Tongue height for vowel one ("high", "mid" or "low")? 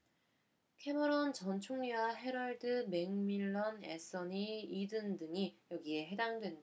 mid